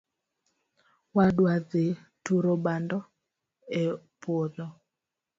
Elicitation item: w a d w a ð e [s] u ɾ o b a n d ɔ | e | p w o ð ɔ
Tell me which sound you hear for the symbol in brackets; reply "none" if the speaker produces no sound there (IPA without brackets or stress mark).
t